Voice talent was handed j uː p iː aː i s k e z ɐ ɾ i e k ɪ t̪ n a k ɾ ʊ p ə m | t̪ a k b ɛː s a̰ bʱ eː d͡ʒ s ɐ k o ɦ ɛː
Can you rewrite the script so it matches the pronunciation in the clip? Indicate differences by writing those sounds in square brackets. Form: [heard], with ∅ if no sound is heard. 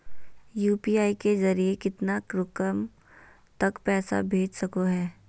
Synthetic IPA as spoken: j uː p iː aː i [∅] k e z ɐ ɾ i e k ɪ t̪ n a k ɾ ʊ [k] ə m | t̪ [ɐ] k [p] ɛː s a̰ bʱ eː d͡ʒ s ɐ k o ɦ ɛː